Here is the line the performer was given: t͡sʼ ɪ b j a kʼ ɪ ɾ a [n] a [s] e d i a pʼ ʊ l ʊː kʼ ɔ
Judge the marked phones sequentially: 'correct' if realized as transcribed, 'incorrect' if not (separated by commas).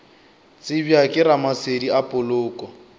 incorrect, correct